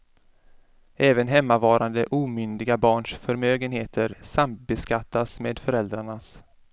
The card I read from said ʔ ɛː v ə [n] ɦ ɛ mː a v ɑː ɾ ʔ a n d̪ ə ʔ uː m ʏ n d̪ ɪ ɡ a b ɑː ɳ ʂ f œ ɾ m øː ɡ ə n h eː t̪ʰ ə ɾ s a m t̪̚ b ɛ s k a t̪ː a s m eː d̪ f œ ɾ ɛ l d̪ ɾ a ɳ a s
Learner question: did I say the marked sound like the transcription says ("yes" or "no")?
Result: yes